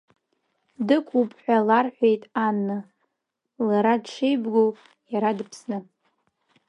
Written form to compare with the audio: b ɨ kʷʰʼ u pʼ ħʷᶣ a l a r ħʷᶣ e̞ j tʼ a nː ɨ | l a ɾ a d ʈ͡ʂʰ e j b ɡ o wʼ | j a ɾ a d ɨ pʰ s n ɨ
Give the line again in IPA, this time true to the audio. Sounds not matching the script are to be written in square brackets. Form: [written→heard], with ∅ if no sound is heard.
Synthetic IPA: [b→d] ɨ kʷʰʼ u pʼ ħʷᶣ a l a r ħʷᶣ e̞ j tʼ a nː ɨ | l a ɾ a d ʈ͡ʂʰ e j b ɡ o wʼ | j a ɾ a d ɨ pʰ s n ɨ